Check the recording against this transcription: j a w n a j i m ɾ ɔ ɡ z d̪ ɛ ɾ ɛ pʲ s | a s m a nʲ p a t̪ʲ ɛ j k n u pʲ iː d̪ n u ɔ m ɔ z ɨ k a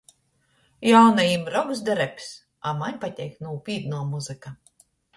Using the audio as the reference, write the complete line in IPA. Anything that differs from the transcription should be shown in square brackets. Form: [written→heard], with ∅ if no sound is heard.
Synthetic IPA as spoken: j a w n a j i m ɾ ɔ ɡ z d̪ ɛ ɾ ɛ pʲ s | a [s→∅] m a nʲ p a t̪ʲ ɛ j k n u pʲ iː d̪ n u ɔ m [ɔ→u] z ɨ k a

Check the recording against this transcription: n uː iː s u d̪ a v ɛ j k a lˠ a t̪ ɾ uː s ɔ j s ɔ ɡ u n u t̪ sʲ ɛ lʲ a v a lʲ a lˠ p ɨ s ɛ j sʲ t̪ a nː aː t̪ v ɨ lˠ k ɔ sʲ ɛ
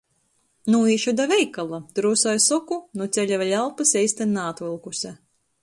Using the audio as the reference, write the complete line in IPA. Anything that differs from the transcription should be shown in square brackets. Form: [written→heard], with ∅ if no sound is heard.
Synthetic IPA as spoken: n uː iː [s→ʃ] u d̪ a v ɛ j k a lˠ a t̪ ɾ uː s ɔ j s ɔ [ɡ→k] u n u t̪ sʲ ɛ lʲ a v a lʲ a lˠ p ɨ s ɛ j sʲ t̪ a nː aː t̪ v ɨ lˠ k [ɔ→u] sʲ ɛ

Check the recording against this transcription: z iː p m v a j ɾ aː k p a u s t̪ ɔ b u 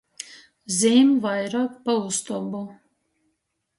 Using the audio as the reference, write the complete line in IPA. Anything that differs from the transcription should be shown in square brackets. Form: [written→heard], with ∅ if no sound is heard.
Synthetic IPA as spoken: z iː [p→∅] m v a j ɾ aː k p a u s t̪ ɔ b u

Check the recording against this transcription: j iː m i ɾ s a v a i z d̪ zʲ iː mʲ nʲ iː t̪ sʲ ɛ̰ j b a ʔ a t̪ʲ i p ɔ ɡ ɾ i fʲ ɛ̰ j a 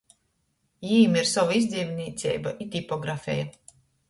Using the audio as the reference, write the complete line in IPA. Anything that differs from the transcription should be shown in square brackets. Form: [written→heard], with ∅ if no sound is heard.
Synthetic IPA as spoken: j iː m i ɾ s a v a i z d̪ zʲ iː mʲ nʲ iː t̪ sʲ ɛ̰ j b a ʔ [a→i] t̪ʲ i p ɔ ɡ ɾ [i→a] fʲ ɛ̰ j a

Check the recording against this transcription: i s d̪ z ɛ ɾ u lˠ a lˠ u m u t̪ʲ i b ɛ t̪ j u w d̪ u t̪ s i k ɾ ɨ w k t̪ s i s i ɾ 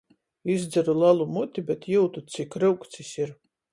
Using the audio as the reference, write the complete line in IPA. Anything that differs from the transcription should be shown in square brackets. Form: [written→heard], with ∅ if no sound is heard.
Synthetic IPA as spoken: i [s→z] d̪ z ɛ ɾ u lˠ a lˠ u m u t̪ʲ i b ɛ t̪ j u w [d̪→t̪] u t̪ s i k ɾ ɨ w k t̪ s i s i ɾ

